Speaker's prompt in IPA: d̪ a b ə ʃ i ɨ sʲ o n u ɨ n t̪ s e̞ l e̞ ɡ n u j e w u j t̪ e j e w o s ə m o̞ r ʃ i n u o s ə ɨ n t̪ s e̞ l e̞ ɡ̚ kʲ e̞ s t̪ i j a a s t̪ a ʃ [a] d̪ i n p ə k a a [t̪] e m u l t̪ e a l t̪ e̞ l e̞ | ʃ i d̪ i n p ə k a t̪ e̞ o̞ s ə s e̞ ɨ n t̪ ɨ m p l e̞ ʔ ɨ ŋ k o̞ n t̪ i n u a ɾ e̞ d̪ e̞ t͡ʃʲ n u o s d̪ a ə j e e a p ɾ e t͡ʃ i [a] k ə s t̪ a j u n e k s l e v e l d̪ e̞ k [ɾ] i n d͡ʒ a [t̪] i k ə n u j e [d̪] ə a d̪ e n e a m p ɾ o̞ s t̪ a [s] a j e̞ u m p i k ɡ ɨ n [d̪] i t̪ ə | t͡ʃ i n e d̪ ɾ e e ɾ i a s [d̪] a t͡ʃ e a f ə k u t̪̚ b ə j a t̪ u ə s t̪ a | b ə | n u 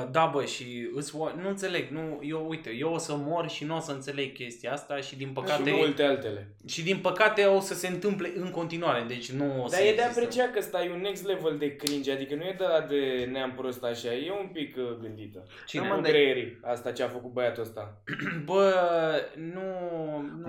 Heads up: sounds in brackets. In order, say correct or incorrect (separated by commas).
incorrect, correct, correct, correct, incorrect, correct, incorrect, correct, incorrect